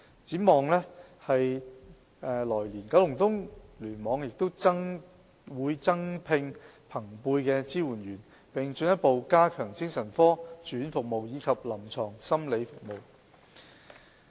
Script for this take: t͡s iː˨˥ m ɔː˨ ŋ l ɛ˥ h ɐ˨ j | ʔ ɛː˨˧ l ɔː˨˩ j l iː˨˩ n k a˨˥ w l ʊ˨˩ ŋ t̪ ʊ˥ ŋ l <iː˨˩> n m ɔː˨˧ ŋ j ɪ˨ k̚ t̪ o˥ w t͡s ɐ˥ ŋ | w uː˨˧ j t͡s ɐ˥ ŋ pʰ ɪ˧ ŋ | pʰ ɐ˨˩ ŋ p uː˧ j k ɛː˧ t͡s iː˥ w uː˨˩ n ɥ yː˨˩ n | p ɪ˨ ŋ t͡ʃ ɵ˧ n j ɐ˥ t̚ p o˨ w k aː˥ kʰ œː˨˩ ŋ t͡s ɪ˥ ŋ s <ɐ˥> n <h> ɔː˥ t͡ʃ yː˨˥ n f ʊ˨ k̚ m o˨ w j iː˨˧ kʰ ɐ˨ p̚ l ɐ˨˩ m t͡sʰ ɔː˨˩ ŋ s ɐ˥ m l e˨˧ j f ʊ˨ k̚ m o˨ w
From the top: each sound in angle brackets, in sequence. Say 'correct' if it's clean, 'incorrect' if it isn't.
incorrect: yː˨˩, incorrect: ɐ˨˩, incorrect: f

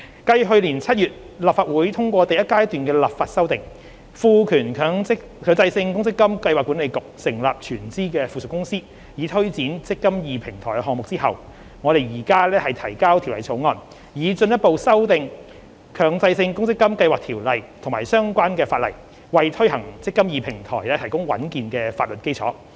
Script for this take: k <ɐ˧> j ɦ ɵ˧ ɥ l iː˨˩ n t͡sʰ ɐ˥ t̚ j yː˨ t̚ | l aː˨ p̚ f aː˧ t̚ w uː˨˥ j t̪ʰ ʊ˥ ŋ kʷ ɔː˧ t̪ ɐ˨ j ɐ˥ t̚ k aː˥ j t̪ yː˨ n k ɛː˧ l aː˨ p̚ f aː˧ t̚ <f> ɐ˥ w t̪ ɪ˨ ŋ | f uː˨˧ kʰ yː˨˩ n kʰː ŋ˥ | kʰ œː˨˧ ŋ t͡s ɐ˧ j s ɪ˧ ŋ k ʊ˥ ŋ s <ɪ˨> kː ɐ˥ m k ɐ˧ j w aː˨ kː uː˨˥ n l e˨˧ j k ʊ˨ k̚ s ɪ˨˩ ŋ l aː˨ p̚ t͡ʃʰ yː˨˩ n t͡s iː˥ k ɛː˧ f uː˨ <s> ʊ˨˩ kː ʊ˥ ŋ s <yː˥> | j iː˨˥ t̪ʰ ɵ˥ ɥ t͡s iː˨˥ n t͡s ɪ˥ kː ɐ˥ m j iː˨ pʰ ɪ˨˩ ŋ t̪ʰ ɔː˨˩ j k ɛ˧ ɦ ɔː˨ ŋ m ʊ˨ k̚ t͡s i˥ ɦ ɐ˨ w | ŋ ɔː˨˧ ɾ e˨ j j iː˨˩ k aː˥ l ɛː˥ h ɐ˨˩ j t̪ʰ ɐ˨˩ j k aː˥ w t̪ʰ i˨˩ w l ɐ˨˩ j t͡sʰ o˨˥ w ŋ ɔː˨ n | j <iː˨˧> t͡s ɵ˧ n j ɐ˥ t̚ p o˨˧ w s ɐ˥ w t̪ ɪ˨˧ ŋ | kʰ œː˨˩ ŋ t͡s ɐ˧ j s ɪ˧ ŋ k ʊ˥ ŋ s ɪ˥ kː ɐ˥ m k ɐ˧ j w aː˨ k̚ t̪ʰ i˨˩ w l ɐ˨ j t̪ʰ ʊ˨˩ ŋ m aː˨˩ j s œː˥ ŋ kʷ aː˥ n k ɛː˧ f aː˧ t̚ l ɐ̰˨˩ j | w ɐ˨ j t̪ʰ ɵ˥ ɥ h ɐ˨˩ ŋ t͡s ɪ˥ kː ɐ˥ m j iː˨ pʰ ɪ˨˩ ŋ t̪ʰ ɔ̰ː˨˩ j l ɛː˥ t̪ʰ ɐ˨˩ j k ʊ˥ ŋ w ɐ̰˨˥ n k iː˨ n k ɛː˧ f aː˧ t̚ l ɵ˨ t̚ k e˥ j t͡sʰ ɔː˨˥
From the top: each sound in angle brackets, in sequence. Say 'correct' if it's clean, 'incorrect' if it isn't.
correct, incorrect: s, incorrect: ɪ˥, correct, incorrect: iː˥, correct

